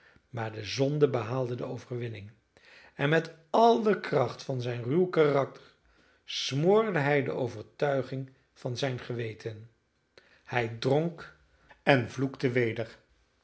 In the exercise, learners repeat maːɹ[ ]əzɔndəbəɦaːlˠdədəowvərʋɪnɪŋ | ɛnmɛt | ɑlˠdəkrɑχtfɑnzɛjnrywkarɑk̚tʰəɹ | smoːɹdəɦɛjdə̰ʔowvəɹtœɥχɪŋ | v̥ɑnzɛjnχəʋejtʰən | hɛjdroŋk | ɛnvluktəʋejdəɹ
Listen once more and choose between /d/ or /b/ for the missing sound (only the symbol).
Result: d